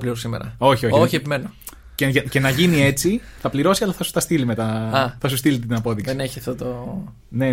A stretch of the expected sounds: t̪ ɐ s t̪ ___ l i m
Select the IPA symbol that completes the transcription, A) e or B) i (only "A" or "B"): B